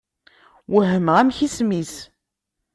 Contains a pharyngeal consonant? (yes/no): no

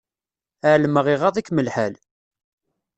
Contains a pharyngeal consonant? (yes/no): yes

